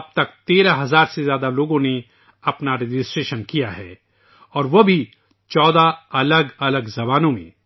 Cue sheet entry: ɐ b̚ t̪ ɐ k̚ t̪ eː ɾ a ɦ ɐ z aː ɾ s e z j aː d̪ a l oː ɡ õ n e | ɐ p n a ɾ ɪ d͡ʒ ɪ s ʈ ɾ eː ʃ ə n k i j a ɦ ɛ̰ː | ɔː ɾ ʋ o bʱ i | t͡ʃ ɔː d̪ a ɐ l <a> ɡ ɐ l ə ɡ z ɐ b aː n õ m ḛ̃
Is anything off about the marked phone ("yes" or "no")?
yes